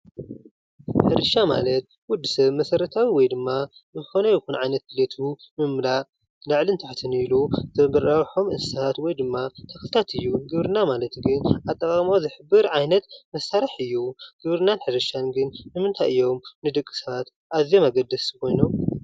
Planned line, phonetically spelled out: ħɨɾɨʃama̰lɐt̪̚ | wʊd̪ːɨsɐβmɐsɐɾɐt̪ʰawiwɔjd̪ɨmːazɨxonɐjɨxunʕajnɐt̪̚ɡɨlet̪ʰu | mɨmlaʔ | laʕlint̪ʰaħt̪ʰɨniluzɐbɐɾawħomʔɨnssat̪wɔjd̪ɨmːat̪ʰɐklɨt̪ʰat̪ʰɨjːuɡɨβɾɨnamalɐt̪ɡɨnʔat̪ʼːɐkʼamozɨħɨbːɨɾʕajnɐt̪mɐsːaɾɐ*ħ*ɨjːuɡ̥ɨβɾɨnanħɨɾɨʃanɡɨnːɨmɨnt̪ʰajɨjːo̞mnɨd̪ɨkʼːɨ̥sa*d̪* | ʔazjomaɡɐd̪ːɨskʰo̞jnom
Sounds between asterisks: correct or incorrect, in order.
correct, incorrect: t̪

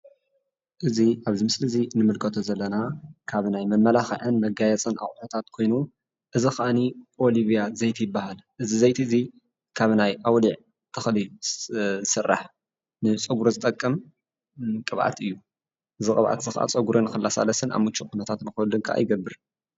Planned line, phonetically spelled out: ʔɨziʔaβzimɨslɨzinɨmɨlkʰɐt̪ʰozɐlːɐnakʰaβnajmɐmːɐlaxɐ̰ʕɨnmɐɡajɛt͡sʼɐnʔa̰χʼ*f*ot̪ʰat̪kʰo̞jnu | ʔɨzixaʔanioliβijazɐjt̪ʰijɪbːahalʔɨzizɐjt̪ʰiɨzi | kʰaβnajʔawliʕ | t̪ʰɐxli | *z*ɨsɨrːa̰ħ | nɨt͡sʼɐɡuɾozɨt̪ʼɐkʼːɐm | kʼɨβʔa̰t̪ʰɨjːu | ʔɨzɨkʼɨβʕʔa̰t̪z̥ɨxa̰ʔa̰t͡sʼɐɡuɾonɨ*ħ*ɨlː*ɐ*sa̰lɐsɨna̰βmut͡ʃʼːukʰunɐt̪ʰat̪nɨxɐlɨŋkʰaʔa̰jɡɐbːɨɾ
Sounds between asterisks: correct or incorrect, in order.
incorrect: ħ, correct, incorrect: x, incorrect: a

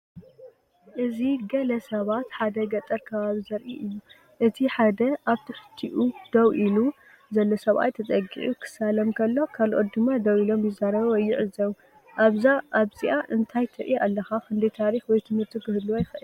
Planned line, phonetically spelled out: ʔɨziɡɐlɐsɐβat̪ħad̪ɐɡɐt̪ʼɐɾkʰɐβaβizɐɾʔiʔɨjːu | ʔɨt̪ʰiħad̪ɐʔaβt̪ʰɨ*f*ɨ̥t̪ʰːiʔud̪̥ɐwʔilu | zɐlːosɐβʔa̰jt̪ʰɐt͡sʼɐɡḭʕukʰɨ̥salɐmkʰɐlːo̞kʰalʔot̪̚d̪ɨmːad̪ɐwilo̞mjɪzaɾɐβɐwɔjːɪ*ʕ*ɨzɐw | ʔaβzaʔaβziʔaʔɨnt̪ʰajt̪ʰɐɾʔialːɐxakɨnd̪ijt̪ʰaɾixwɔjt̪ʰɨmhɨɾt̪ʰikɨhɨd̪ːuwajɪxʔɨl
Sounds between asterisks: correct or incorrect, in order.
incorrect: ħ, correct

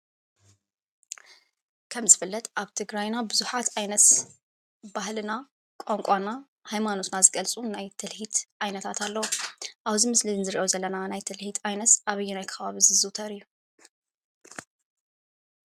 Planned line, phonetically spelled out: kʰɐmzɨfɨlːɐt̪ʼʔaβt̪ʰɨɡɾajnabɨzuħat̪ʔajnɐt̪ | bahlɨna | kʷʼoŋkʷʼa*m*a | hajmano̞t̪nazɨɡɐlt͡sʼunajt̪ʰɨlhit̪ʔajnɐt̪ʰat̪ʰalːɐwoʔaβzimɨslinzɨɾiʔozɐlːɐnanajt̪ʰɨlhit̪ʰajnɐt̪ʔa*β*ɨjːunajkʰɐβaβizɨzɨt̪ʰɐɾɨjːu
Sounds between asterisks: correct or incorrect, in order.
incorrect: n, correct

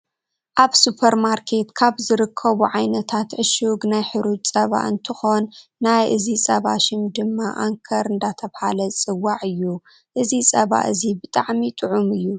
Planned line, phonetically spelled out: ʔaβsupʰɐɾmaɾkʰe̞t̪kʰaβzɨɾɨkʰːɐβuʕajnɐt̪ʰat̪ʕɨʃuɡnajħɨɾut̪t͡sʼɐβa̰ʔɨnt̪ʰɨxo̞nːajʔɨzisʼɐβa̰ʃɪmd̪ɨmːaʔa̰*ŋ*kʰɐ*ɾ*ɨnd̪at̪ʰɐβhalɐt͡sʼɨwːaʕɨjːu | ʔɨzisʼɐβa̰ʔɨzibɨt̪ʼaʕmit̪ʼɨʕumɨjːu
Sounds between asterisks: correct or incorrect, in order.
correct, correct

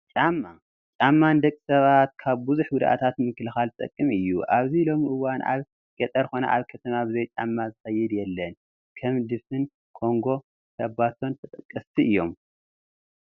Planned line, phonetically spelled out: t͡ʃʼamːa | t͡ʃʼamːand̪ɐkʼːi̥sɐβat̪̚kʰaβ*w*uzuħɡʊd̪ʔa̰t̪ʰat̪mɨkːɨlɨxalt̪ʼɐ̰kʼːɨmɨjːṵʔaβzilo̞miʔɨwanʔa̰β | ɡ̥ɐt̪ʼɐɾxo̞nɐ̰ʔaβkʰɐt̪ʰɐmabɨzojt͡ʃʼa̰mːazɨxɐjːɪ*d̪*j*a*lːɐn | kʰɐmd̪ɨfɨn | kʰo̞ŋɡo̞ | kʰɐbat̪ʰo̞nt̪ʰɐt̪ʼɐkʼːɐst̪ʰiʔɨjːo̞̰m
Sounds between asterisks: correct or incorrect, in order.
incorrect: b, correct, incorrect: ɛ

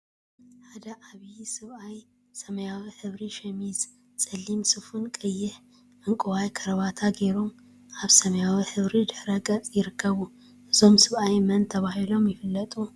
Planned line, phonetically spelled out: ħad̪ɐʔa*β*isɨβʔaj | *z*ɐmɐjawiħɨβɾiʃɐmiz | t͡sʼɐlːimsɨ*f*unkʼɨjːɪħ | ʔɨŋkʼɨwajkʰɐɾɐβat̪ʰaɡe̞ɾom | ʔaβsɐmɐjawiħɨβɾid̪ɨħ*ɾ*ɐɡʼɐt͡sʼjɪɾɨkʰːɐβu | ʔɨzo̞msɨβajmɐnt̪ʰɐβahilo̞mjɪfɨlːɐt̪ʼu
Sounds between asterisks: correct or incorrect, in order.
correct, incorrect: s, correct, correct

